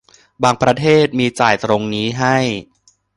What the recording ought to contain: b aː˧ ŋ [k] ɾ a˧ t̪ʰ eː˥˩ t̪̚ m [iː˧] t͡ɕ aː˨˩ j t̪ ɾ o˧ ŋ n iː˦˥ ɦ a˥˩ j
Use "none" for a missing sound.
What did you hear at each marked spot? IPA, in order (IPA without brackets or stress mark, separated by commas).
p, iː˧